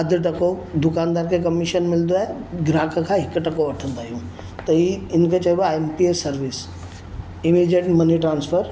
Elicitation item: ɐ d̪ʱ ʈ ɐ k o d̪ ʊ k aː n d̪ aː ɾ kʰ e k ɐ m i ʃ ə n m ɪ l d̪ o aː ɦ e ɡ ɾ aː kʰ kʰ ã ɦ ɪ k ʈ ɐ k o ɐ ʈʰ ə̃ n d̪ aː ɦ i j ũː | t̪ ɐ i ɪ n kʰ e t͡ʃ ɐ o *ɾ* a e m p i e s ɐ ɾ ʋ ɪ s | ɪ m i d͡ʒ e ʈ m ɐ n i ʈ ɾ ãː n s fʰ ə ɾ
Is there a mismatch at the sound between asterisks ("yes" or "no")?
yes